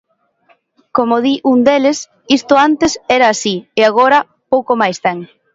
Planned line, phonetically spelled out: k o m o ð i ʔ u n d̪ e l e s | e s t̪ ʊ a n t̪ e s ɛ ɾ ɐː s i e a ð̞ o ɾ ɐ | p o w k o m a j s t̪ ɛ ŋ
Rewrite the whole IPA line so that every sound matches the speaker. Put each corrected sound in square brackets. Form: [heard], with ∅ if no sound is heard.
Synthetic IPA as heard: k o m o ð i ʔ u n d̪ e l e s | [i] s t̪ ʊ a n t̪ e s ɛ ɾ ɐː s i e a [ɣ̞] o ɾ ɐ | p o w k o m a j s t̪ ɛ ŋ